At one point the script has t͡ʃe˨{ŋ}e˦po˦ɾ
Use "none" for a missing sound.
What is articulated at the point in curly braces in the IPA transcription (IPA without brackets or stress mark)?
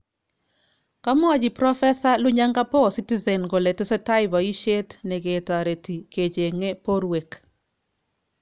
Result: ŋ